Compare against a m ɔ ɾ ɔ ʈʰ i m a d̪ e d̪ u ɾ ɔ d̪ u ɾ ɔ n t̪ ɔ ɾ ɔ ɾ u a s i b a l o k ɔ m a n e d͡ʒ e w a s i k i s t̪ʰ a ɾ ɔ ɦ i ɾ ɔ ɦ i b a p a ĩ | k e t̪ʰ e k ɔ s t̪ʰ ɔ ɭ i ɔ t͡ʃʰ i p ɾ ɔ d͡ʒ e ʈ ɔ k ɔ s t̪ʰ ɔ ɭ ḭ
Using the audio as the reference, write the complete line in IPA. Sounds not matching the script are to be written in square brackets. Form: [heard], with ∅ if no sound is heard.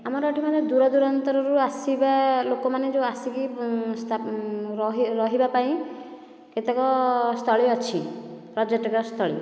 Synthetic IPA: a m ɔ ɾ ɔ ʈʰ i m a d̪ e d̪ u ɾ ɔ d̪ u ɾ ɔ n t̪ ɔ ɾ ɔ ɾ u a s i b a l o k ɔ m a n e d͡ʒ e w a s i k i s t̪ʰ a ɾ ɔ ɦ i ɾ ɔ ɦ i b a p a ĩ | k e [t̪] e k ɔ s t̪ʰ ɔ ɭ i ɔ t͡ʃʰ i p ɾ ɔ d͡ʒ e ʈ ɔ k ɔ s t̪ʰ ɔ ɭ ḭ